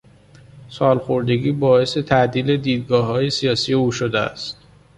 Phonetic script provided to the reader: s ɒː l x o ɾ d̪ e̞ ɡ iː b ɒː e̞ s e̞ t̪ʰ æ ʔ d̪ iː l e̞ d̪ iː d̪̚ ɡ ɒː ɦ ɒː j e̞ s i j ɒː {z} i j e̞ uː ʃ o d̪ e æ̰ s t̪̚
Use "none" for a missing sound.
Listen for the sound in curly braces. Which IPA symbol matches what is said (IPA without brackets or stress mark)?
s